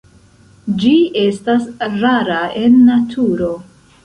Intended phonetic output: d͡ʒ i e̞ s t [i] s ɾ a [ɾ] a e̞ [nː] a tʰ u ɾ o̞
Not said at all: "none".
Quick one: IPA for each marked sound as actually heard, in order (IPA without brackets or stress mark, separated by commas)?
a, ɾ, nː